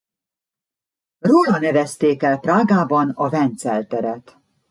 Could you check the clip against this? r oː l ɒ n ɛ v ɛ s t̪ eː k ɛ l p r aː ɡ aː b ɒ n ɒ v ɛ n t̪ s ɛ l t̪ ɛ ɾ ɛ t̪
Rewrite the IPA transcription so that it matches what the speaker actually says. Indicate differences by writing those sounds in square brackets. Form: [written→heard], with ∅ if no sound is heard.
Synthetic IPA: r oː l ɒ n ɛ v ɛ s t̪ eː k ɛ l p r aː ɡ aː b ɒ n ɒ v ɛ n t̪ s ɛ l t̪ ɛ ɾ ɛ t̪